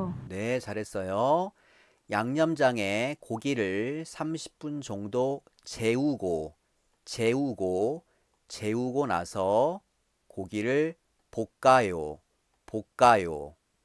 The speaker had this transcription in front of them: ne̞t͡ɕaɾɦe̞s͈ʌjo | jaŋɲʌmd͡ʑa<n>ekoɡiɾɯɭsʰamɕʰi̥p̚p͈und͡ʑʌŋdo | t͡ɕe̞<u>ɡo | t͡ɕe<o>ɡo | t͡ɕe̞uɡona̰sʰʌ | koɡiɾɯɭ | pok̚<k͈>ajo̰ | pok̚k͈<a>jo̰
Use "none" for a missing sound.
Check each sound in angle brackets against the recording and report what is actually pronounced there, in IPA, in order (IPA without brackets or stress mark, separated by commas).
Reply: ŋ, u, u, k͈, a